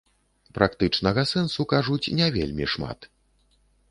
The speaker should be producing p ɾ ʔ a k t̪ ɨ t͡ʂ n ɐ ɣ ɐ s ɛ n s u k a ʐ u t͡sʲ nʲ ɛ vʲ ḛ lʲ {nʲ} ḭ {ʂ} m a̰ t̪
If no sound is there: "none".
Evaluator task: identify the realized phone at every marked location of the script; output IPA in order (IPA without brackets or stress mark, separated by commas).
mʲ, ʂ